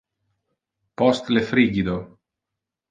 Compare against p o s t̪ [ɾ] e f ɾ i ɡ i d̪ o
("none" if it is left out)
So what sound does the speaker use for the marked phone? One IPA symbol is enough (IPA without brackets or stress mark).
l